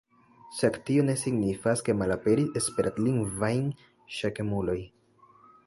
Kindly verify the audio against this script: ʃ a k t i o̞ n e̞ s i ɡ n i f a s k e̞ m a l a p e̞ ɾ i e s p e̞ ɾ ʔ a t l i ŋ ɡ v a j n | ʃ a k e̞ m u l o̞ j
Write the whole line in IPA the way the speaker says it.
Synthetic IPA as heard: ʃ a k t i o̞ n e̞ s i ɡ n i f a s k e̞ m a l a p e̞ ɾ i e s p e̞ ɾ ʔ a t l i ŋ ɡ v a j n | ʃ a k e̞ m u l o̞ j

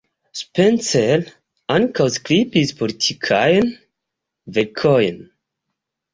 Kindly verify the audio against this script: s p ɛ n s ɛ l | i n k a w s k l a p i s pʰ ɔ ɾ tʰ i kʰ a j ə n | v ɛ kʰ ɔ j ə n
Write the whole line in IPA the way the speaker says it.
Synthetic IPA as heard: s p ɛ n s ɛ l | a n k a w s k l i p i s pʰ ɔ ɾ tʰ i kʰ a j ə n | v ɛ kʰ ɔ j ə n

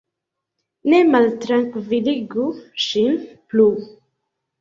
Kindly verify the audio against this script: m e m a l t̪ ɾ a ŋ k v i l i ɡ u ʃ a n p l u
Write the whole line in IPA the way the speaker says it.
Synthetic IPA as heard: n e m a l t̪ ɾ a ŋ k v i l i ɡ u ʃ i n p l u

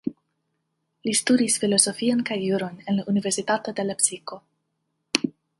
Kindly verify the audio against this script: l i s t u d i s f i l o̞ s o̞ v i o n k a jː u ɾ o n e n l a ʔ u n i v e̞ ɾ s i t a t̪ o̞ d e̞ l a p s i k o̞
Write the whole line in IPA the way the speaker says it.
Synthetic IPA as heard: l i s t u d i s f i l o̞ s o̞ f i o n k a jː u ɾ o n e n l a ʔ u n i v e̞ ɾ s i t a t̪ o̞ d e̞ l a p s i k o̞

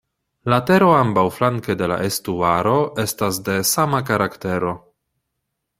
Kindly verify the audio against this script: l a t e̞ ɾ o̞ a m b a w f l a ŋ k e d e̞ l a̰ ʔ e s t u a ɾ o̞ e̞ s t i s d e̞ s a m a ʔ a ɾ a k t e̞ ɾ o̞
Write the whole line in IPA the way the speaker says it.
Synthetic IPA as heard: l a t e̞ ɾ o̞ a m b a w f l a ŋ k e d e̞ l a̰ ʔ e s t u a ɾ o̞ e̞ s t a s d e̞ s a m a k a ɾ a k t e̞ ɾ o̞

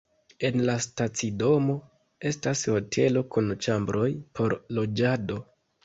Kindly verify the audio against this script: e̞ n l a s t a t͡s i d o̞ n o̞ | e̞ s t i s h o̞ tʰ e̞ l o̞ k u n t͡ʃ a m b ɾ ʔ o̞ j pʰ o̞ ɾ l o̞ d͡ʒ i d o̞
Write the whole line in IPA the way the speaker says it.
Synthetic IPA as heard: e̞ n l a s t a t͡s i d o̞ m o̞ | e̞ s t a s h o̞ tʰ e̞ l o̞ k u n t͡ʃ a m b ɾ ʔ o̞ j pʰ o̞ ɾ l o̞ d͡ʒ a d o̞

